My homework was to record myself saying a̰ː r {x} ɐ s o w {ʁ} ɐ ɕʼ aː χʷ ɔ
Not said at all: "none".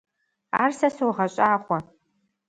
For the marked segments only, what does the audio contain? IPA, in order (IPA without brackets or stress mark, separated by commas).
s, ʁ